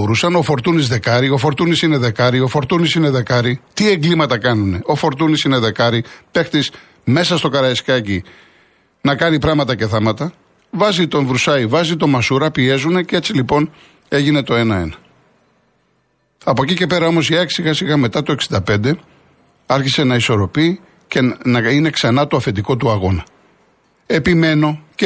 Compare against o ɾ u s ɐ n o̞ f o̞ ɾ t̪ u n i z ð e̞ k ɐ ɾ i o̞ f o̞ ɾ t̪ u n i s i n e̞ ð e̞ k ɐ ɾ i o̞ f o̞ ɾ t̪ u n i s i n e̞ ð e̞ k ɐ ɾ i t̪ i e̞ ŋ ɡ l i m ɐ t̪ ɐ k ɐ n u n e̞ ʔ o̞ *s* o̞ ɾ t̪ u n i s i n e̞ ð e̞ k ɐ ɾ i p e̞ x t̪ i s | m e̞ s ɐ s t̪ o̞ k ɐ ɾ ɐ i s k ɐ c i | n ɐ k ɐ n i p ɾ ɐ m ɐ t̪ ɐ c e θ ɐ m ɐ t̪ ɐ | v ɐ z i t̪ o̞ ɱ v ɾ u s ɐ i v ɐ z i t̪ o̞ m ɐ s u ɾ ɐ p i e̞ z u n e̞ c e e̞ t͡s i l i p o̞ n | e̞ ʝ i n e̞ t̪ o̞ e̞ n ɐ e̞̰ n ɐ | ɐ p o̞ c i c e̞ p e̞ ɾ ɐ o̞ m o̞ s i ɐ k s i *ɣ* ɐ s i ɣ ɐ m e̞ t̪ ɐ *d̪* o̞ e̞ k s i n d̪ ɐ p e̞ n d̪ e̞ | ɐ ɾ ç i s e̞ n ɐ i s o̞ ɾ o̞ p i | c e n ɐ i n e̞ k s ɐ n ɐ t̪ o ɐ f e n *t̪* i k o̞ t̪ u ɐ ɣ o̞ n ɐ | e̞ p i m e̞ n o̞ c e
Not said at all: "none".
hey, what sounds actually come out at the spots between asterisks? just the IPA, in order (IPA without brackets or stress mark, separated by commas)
f, ɣ, t̪, d̪